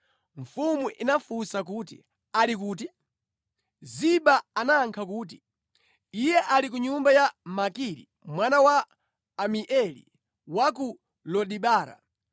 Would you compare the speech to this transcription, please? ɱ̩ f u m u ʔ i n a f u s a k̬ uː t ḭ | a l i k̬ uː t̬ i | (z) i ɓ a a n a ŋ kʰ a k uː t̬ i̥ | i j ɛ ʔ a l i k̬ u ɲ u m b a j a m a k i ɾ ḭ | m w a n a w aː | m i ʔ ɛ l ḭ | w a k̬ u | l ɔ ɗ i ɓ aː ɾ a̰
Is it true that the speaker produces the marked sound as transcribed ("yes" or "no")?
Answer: yes